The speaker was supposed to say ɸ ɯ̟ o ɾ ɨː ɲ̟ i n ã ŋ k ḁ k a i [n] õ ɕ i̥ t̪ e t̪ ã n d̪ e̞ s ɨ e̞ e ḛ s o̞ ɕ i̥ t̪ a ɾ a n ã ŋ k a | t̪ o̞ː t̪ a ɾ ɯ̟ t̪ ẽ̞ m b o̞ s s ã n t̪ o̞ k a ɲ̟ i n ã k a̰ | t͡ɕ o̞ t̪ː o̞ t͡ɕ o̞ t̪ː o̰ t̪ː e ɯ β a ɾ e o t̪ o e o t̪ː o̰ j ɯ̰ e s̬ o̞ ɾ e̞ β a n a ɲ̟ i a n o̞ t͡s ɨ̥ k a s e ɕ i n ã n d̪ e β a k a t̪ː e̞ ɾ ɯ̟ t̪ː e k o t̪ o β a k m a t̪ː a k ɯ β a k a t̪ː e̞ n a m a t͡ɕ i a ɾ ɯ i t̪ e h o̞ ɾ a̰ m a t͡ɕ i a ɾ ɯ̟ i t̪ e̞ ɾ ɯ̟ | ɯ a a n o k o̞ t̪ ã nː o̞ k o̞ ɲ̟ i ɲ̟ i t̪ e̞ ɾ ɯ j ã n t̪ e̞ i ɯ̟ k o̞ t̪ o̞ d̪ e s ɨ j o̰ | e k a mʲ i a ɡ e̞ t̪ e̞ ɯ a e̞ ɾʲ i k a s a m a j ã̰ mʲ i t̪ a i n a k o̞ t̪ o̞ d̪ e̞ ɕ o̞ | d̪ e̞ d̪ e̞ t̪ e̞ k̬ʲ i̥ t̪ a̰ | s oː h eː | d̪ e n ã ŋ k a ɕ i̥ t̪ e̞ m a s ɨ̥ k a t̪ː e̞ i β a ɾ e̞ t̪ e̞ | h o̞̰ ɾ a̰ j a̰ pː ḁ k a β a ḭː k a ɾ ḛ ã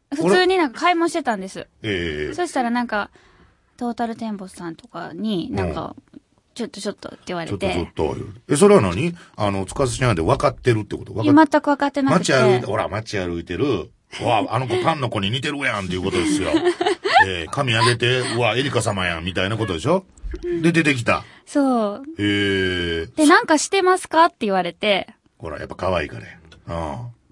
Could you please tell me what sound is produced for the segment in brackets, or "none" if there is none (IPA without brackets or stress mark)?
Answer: m